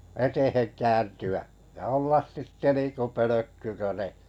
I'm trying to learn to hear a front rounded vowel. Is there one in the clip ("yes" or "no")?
yes